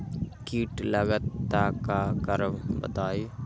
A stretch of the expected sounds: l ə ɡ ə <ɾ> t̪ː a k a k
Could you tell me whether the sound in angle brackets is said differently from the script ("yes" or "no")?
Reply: yes